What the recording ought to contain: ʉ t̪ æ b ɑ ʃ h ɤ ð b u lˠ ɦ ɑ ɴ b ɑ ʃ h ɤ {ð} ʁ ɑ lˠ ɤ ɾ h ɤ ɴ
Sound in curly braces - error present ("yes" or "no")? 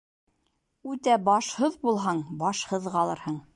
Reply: no